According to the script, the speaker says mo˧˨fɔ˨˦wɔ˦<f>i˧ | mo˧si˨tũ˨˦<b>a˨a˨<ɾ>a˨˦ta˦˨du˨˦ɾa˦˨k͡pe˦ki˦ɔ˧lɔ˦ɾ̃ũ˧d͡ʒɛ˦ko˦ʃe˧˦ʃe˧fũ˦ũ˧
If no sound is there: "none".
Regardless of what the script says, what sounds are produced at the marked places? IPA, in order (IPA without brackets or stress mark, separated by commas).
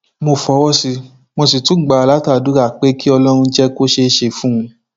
s, ɡ͡b, l